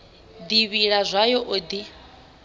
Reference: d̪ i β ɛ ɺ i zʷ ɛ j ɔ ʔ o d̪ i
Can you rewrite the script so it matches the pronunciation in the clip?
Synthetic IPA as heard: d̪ i β i ɺ a zʷ a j ɔ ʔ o d̪ i

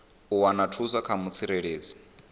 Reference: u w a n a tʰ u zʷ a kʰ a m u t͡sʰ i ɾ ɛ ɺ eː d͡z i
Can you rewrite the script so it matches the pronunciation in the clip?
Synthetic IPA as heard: u w a n a tʰ u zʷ a kʰ a m u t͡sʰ i ɾ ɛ ɺ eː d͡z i

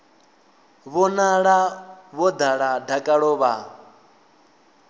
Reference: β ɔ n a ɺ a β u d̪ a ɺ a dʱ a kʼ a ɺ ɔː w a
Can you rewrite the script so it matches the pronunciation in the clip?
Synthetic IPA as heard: β ɔ n a ɺ a β ɔ d̪ a ɺ a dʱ a kʼ a ɺ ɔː β a

